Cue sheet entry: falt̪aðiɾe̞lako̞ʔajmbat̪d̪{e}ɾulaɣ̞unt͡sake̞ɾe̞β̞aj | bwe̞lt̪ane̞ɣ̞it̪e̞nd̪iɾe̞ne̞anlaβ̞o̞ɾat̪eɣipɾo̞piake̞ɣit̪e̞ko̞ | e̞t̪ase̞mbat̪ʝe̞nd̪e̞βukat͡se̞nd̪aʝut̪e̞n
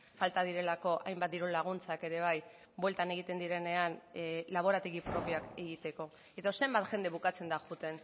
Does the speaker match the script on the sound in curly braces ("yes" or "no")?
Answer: no